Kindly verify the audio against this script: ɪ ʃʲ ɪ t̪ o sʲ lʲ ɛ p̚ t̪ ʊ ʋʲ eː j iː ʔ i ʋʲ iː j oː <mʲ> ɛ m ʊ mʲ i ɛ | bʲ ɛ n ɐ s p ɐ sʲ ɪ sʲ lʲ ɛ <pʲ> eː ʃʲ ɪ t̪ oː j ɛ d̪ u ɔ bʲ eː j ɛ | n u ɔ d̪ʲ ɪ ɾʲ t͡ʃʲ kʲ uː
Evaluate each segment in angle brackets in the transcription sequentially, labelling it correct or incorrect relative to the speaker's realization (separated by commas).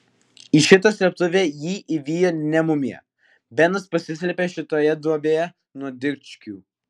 incorrect, correct